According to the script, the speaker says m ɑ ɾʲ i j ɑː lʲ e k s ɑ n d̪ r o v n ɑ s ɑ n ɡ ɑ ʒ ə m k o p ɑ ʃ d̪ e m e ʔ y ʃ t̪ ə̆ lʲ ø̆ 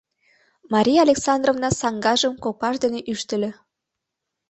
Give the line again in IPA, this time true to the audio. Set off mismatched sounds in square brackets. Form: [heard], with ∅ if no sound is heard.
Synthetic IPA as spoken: m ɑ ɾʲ i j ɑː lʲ e k s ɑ n d̪ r o v n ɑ s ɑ [ŋ] ɡ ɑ ʒ ə m k o p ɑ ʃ d̪ e [n] e ʔ y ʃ t̪ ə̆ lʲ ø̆